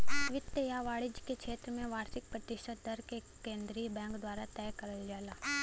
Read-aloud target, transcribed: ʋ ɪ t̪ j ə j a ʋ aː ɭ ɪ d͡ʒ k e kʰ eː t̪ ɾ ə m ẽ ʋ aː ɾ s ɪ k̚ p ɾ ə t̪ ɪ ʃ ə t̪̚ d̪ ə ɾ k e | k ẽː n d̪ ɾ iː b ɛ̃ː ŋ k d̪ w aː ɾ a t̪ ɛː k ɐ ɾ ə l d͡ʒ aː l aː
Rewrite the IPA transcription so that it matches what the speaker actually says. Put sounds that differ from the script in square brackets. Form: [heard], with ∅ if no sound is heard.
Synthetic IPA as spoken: ʋ ɪ t̪ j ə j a ʋ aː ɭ ɪ d͡ʒ k e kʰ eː t̪ ɾ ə m ẽ ʋ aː ɾ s ɪ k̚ p ɾ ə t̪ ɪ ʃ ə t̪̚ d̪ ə ɾ k e | k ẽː n d̪ ɾ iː b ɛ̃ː ŋ k d̪ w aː ɾ a t̪ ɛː k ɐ ɾ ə l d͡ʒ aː l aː